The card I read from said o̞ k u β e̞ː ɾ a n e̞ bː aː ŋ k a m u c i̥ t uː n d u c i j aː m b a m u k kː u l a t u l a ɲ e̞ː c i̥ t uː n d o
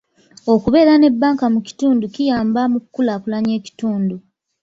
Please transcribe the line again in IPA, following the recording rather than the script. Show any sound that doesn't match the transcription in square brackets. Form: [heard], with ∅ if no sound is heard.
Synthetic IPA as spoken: o̞ k u β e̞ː ɾ a n e̞ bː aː ŋ k a m u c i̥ t uː n d u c i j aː m b a m u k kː u l a [k] u l a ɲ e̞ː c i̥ t uː n d [u]